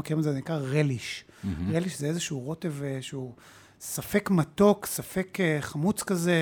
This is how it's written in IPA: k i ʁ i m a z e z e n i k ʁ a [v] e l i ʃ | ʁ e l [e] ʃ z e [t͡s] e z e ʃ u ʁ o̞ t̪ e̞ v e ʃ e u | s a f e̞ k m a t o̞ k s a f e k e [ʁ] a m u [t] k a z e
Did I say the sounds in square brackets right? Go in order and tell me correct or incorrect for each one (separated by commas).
incorrect, incorrect, incorrect, incorrect, incorrect